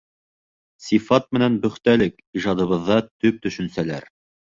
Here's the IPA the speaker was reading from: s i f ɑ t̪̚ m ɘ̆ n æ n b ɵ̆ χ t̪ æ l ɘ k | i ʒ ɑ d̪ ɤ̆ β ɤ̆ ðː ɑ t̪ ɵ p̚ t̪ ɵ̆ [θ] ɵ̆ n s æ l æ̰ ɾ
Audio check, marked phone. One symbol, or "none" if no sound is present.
ʃ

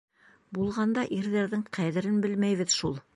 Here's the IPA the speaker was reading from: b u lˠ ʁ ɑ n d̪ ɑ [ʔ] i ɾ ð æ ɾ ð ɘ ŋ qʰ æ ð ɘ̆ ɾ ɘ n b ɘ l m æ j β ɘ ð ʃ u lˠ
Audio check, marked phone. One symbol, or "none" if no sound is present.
ʔ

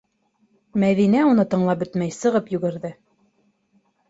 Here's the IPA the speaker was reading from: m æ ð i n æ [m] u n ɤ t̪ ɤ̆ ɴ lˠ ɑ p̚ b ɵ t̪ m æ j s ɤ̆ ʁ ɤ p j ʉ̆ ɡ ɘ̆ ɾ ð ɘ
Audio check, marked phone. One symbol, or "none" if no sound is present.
none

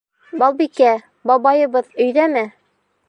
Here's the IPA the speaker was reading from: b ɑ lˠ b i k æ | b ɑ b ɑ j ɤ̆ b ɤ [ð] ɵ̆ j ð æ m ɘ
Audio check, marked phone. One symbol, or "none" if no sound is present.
ð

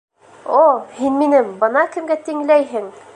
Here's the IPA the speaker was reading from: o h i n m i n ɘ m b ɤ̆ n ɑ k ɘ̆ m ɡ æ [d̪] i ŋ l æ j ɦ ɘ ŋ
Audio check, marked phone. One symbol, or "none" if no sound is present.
t̪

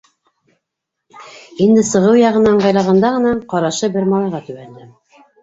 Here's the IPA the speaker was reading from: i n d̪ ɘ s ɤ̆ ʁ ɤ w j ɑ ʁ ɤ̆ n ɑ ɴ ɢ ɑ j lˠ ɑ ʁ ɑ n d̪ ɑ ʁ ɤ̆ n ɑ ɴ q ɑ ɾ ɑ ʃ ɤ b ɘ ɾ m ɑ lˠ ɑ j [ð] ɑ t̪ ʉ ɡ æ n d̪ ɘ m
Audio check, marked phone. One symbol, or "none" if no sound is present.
ʁ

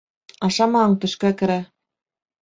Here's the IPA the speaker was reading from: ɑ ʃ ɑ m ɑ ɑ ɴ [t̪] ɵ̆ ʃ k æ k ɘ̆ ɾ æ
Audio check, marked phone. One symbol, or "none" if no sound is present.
t̪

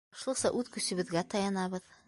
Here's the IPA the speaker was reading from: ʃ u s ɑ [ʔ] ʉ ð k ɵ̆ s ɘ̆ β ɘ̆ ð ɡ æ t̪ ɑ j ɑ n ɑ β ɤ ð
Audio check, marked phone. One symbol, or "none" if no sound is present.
ʔ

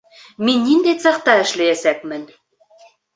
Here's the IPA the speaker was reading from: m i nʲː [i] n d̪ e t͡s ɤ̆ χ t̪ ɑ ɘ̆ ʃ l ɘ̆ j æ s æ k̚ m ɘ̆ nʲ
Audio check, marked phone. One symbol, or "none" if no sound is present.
i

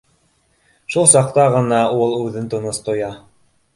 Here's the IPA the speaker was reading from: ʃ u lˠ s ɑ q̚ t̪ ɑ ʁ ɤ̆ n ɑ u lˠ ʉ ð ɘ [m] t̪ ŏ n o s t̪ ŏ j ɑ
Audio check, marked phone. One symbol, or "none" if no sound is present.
n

